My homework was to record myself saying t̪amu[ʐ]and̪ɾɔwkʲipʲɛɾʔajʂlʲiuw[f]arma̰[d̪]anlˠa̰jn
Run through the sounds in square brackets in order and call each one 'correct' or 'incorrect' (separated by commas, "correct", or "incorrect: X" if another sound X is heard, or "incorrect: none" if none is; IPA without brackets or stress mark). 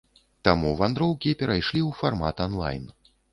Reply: incorrect: v, correct, incorrect: t̪